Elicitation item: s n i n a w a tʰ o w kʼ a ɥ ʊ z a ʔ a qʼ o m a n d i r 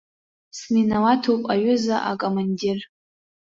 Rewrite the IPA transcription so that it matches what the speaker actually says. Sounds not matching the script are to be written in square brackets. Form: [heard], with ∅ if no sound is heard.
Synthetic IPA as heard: s n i n a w a tʰ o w [pʼ] a ɥ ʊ z a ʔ a [kʼ] o m a n d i r